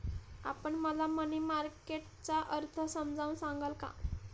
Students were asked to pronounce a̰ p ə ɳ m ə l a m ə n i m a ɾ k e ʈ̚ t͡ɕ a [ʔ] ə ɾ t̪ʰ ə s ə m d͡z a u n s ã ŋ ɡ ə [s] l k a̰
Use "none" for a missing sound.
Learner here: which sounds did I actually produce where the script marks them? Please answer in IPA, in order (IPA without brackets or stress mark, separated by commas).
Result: ʔ, none